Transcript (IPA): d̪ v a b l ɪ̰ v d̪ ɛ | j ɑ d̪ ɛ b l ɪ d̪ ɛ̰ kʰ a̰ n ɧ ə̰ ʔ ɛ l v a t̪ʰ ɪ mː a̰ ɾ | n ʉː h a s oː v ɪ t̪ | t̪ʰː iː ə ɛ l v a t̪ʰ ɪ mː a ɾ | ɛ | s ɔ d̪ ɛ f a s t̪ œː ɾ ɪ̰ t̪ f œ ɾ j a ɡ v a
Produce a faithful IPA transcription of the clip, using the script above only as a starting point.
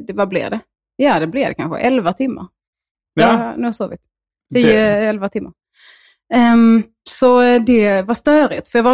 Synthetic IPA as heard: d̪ v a b l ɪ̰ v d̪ ɛ | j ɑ d̪ ɛ b l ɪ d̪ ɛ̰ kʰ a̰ n ɧ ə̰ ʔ ɛ l v a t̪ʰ ɪ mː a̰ ɾ | n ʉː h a s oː v ɪ t̪ | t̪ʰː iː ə ɛ l v a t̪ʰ ɪ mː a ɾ | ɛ | s ɔ d̪ ɛ v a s t̪ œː ɾ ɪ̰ t̪ f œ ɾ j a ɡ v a